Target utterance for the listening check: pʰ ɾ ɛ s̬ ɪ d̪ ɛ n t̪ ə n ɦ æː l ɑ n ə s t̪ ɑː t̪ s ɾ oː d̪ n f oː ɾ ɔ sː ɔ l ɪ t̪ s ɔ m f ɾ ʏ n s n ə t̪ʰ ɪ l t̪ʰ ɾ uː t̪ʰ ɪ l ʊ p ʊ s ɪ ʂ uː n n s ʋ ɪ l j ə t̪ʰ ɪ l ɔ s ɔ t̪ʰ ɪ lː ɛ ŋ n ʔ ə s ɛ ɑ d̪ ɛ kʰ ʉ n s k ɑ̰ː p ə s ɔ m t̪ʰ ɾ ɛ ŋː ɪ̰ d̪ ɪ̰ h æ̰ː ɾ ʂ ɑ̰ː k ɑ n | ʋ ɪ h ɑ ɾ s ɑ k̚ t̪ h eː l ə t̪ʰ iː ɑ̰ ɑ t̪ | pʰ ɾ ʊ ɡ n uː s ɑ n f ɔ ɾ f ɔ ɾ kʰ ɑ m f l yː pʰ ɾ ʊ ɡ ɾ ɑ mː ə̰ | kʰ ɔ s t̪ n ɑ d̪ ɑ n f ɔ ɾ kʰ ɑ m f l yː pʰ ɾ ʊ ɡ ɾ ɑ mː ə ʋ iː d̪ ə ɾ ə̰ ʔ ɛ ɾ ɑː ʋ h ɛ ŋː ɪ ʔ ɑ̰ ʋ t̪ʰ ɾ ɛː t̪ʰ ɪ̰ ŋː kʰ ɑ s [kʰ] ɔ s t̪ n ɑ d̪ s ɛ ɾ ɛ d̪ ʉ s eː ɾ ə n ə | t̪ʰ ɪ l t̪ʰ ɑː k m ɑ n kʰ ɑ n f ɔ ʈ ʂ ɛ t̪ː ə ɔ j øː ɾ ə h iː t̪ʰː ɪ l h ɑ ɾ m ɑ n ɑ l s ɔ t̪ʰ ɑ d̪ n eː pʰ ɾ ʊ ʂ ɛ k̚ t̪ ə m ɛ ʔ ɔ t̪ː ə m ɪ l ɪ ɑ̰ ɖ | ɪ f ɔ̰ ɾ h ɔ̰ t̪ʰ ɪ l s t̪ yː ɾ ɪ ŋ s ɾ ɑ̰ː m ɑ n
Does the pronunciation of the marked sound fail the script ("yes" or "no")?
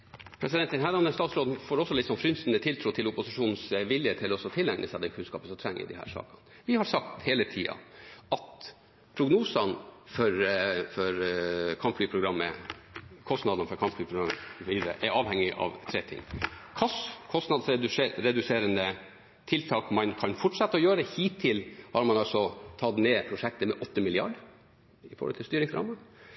no